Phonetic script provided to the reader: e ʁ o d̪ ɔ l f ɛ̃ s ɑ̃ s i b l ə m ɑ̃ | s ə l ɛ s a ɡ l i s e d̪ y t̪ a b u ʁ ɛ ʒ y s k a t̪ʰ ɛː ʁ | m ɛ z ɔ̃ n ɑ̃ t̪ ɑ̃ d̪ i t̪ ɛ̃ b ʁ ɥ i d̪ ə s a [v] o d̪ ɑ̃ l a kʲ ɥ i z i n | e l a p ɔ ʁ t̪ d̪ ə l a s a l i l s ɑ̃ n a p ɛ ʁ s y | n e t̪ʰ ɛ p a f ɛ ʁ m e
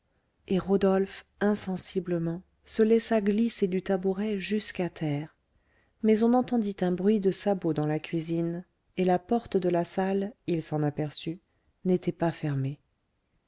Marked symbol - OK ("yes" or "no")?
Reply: no